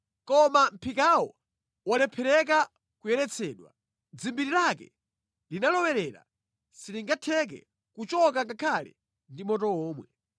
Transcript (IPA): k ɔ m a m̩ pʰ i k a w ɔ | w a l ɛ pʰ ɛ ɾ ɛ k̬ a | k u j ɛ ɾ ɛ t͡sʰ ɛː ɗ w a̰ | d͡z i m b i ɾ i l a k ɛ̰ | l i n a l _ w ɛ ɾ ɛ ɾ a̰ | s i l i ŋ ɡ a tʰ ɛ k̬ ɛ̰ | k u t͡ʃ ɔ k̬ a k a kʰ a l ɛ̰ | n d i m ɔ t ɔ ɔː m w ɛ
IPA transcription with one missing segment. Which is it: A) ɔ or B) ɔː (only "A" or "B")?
A